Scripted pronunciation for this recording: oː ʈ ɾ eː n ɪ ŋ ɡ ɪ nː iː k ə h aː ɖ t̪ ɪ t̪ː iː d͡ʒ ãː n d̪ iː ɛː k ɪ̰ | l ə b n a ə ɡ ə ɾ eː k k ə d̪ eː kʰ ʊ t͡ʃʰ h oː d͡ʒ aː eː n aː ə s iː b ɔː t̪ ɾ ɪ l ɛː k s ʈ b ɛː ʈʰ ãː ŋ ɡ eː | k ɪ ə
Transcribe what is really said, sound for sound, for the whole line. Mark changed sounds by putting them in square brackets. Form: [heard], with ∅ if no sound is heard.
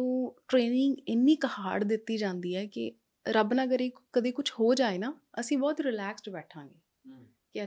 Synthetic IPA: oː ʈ ɾ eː n ɪ ŋ ɡ ɪ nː iː k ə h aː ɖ [d̪] ɪ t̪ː iː d͡ʒ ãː n d̪ iː ɛː k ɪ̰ | [ɾ] ə b n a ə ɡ ə ɾ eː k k ə d̪ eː [k] ʊ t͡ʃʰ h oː d͡ʒ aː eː n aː ə s [ĩː] b ɔː t̪ ɾ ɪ l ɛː k s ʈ b ɛː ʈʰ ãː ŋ ɡ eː | k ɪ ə